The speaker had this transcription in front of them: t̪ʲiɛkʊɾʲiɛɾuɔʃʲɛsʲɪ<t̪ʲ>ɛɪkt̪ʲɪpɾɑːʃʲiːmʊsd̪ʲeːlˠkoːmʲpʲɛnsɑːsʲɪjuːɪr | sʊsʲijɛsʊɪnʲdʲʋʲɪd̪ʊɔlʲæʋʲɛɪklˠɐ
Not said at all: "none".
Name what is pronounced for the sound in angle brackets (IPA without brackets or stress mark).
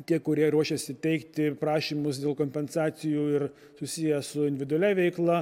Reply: t̪ʲ